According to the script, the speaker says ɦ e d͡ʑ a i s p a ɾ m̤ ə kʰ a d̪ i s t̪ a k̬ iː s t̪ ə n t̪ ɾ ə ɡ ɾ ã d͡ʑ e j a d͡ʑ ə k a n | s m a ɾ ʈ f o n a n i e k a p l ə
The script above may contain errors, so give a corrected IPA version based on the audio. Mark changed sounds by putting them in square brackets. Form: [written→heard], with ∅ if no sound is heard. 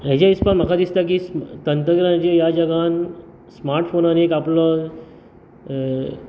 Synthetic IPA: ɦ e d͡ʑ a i s p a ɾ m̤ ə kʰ a d̪ i s t̪ a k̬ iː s t̪ ə n t̪ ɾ ə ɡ ɾ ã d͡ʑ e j a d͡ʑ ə [k→ɡ] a n | s m a ɾ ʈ f o n a n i e k a p l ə